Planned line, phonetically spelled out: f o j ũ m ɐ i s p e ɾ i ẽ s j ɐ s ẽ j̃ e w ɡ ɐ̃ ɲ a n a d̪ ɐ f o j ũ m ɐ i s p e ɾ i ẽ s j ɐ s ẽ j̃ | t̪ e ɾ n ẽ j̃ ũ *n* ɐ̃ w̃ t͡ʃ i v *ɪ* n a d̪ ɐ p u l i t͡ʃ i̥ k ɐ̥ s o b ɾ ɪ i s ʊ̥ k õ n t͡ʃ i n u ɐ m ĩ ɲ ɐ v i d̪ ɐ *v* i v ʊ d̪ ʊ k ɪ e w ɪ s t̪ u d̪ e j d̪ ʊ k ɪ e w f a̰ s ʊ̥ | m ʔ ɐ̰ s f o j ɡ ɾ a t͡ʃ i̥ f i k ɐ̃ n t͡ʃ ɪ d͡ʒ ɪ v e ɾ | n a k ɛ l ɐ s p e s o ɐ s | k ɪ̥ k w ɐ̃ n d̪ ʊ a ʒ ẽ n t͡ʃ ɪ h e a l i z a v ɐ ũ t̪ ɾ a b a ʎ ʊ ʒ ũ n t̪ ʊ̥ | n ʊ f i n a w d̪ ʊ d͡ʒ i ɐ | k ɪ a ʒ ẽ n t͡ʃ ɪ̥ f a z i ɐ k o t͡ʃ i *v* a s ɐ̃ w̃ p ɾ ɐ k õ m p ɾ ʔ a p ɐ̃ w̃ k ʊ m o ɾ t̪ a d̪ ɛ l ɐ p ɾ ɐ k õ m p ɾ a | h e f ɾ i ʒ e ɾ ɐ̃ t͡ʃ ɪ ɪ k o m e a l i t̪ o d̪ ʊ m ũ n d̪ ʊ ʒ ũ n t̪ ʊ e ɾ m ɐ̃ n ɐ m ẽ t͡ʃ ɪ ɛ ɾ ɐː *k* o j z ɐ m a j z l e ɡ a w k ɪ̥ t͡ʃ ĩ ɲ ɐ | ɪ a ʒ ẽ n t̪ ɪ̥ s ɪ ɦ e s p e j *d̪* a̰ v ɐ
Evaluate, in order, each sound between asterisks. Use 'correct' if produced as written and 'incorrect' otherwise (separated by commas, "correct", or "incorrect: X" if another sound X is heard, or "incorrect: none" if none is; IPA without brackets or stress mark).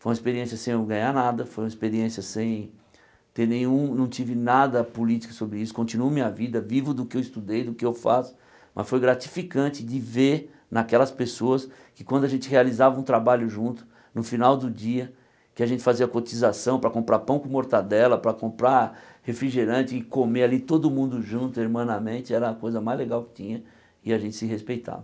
correct, correct, correct, incorrect: z, correct, incorrect: t̪